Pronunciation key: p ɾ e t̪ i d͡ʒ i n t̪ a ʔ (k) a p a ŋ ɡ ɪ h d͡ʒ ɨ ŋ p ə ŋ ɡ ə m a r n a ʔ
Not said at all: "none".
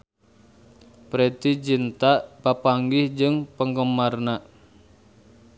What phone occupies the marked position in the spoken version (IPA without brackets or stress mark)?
p